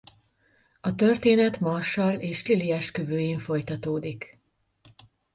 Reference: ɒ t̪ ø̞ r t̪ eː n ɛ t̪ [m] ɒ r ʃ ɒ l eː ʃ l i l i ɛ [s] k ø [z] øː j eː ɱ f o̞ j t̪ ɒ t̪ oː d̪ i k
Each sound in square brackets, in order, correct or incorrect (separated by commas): correct, incorrect, incorrect